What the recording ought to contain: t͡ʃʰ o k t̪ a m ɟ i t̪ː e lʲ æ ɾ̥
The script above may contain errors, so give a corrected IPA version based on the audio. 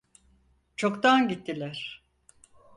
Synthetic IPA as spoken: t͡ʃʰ o k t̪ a n ɟ i t̪ː i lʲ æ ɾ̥